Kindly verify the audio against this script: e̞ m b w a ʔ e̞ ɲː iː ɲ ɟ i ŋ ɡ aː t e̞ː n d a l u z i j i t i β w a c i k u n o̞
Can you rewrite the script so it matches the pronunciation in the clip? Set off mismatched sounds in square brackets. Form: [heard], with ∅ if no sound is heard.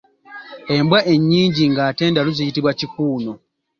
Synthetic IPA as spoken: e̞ m b w a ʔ e̞ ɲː iː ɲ ɟ i ŋ ɡ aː t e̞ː n d a l u z i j i t i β w a c i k [uː] n o̞

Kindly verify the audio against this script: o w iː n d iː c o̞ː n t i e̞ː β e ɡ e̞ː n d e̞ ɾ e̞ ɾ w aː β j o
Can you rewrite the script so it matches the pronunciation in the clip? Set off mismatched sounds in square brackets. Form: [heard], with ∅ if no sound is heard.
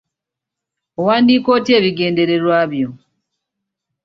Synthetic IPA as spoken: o w [aː] n d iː [k] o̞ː [∅] t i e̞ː β [i] ɡ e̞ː n d e̞ ɾ e̞ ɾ w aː β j o

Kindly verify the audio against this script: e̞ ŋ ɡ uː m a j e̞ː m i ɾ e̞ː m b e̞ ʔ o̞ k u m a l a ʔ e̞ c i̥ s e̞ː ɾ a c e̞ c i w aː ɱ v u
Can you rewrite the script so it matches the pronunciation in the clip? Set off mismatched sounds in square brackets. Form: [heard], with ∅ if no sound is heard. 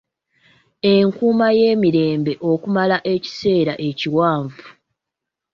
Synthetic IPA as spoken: e̞ ŋ [k] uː m a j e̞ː m i ɾ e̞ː m b e̞ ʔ o̞ k u m a l a ʔ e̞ c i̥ s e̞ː ɾ a [ʔ] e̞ c i w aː ɱ v u

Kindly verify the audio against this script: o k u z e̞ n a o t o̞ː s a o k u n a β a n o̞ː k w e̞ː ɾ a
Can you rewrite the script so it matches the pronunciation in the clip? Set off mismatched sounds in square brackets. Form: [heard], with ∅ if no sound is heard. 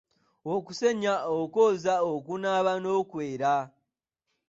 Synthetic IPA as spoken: o k u [s] e̞ [ɲ] a o [k] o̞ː [z] a o k u n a β a n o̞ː k w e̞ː ɾ a

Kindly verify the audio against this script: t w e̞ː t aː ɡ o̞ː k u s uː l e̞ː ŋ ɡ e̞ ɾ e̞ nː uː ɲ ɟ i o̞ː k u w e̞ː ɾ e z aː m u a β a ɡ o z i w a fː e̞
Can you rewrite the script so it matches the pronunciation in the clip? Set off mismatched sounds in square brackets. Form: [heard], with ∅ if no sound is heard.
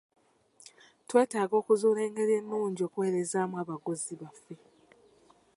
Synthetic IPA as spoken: t w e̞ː t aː ɡ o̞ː k u [z] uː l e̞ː ŋ ɡ e̞ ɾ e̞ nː uː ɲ ɟ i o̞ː k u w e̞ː ɾ e z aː m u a β a ɡ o z i [β] a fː e̞

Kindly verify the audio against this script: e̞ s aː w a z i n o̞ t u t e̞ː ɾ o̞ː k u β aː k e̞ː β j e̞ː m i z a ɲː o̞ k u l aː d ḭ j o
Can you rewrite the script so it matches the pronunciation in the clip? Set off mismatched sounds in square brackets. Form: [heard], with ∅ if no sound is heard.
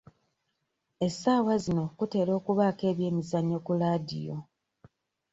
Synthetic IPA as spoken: e̞ s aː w a z i n o̞ [k] u t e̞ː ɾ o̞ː k u β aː k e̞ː β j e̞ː m i z a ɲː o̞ k u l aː d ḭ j o

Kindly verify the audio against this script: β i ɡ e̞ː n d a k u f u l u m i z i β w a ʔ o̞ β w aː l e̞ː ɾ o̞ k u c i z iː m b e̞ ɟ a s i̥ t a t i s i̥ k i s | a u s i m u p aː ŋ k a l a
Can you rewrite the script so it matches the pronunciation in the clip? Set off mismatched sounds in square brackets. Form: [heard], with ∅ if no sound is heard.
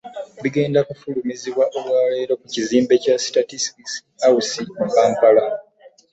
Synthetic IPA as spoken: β i ɡ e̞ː n d a k u f u l u m i z i β w a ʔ o̞ β w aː l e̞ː ɾ o̞ k u c i z iː m b e̞ [c] a s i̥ t a t i s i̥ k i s | a u s i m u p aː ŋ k a l a

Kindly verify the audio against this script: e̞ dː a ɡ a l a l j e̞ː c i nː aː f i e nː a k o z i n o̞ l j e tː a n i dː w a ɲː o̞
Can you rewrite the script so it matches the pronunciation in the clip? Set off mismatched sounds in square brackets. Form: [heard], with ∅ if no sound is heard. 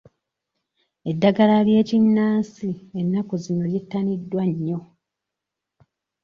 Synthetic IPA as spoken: e̞ dː a ɡ a l a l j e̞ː c i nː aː [s] i e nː a k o z i n o̞ l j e tː a n i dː w a ɲː o̞

